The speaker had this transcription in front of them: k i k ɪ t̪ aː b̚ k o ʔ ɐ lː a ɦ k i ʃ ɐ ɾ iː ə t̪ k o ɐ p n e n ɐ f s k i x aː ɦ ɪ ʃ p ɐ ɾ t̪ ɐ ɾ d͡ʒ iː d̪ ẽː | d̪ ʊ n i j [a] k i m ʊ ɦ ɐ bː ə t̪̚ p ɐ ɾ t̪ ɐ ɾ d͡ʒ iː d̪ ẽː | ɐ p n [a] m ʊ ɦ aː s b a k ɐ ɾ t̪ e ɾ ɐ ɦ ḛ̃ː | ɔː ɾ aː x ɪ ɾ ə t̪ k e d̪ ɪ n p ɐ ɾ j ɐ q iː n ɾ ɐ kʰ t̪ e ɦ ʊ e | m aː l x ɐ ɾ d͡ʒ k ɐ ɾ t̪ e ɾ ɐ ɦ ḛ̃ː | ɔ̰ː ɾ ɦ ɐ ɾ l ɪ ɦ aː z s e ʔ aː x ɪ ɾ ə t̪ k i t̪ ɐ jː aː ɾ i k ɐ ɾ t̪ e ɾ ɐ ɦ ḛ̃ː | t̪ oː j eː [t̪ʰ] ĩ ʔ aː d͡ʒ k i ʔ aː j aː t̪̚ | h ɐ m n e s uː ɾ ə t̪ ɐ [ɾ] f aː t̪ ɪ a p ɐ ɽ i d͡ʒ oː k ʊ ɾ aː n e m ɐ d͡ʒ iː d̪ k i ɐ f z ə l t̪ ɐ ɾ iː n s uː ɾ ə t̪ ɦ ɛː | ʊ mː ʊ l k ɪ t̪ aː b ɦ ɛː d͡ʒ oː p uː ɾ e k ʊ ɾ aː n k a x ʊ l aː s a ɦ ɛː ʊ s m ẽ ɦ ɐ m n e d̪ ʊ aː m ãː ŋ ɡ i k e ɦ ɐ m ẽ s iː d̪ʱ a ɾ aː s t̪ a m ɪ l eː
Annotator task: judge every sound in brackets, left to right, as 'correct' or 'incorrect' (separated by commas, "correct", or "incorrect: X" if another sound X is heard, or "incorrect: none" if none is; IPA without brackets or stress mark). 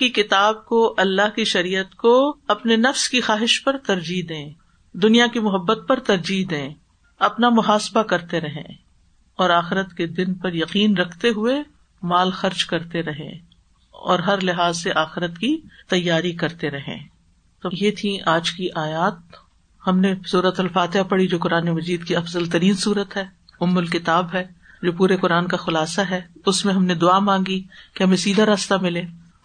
correct, correct, correct, incorrect: l